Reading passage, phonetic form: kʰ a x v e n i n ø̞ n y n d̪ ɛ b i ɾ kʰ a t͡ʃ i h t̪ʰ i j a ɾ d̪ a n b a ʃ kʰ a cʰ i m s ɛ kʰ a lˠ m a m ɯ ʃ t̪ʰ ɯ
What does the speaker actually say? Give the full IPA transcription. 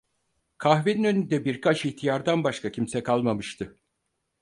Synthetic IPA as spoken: kʰ a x v e n i n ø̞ n y n d̪ ɛ b i ɾ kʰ a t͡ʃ i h t̪ʰ i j a ɾ d̪ a n b a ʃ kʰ a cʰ i m s ɛ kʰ a lˠ m a m ɯ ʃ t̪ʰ ɯ